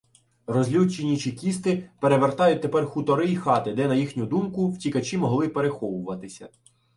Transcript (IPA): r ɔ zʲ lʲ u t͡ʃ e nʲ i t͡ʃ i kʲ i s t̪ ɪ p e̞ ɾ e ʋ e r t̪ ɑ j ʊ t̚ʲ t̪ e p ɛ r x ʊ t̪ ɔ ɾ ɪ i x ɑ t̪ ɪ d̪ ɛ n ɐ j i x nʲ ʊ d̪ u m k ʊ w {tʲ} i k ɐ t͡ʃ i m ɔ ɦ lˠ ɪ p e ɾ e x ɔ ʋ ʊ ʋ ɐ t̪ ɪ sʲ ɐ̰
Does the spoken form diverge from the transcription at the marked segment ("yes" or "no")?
no